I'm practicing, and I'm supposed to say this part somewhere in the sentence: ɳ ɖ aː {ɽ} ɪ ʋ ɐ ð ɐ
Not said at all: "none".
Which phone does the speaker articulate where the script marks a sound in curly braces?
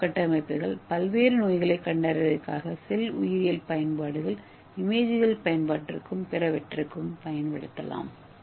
ɾ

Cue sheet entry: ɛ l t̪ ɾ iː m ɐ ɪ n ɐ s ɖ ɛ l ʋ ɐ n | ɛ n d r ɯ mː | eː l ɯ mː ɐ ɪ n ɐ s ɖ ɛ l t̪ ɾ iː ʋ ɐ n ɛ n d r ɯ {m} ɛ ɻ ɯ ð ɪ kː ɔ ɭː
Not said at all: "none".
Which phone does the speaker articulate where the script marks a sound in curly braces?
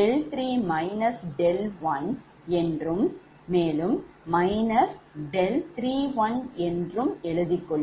m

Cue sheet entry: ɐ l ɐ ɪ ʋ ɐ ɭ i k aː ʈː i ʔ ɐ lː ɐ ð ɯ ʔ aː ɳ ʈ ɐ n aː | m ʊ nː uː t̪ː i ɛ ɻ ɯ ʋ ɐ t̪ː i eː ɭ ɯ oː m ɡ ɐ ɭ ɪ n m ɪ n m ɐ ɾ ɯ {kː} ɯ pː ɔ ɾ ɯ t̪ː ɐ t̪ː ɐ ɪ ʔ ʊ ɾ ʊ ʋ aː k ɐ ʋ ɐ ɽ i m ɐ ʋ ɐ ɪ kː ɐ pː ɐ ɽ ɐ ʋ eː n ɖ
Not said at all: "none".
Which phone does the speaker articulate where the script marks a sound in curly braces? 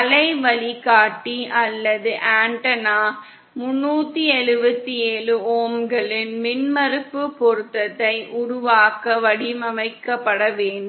pː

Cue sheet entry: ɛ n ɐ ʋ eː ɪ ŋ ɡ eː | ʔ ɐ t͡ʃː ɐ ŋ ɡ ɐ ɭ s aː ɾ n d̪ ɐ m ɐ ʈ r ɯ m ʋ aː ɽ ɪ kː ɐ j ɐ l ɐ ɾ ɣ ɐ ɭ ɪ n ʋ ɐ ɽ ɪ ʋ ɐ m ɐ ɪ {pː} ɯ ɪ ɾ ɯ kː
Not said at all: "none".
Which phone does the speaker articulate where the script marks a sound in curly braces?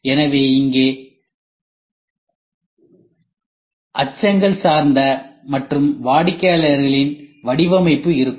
pː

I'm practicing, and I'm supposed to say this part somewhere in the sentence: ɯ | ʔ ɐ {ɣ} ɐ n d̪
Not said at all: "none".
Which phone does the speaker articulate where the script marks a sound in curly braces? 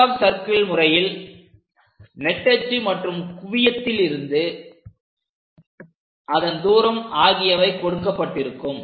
ð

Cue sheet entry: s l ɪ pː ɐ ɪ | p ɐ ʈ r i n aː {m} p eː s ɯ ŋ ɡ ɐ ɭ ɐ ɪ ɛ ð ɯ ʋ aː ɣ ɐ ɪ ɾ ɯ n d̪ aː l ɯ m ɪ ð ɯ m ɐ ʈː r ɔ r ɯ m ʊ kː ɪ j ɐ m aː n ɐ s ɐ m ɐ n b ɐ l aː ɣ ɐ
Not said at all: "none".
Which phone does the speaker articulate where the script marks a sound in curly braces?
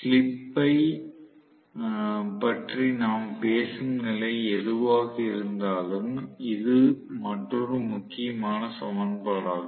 m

